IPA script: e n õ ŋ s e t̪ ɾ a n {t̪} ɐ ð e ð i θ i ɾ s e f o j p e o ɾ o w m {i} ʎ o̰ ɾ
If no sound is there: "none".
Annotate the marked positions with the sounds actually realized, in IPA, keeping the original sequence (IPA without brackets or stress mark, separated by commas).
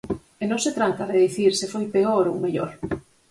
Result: t̪, e